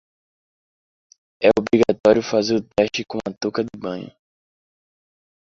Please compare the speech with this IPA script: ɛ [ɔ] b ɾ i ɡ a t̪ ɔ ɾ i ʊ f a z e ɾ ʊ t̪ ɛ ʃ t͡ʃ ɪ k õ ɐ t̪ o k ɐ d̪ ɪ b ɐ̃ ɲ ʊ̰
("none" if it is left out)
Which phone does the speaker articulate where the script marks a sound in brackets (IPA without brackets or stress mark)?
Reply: o